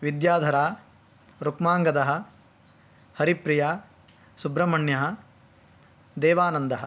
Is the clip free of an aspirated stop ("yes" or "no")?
yes